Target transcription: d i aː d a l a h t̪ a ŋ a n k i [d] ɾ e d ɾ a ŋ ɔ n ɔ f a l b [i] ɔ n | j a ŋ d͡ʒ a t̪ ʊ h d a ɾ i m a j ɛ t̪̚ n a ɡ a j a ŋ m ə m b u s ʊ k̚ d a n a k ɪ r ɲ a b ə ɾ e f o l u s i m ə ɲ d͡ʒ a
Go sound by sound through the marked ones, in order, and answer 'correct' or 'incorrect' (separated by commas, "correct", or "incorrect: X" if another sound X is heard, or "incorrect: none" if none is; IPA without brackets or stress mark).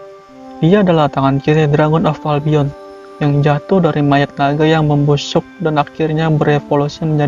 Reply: incorrect: none, correct